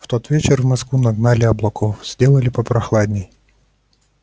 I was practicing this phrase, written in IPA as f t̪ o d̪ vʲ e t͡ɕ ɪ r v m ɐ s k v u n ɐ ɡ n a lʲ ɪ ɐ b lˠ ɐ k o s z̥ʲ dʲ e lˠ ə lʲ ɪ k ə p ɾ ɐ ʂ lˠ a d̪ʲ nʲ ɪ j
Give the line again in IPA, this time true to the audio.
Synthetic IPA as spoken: f t̪ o t̪ vʲ e t͡ɕ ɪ r v m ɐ s k v u n ɐ ɡ n a lʲ ɪ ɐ b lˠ ɐ k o f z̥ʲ dʲ e lˠ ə lʲ ɪ p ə p ɾ ɐ x lˠ a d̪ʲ nʲ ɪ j